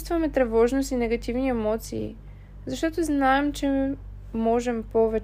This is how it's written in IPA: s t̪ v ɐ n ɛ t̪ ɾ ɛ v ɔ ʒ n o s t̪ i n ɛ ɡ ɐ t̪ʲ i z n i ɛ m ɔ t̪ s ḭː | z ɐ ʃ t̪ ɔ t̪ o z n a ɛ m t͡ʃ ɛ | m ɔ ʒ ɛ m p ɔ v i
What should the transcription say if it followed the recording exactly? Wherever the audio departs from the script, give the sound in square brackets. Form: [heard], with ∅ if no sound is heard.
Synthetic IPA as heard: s t̪ v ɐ [m] ɛ t̪ ɾ ɛ v ɔ ʒ n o s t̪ i n ɛ ɡ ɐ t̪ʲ i [v] n i ɛ m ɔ t̪ s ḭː | z ɐ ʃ t̪ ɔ t̪ o z n a ɛ m t͡ʃ ɛ | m ɔ ʒ ɛ m p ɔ v [ɛ]